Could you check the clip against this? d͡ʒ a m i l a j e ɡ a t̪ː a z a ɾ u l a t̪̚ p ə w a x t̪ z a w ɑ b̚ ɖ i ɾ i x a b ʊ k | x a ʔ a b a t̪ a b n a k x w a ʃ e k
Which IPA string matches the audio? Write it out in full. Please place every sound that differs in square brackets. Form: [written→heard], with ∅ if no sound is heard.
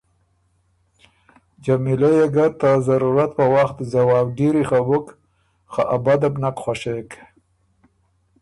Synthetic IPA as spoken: d͡ʒ a m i l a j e ɡ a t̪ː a z a ɾ u [l→ɾ] a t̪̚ p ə w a x t̪ z a w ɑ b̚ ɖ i ɾ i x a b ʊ k | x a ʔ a b a [t̪→d̪] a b n a k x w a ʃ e k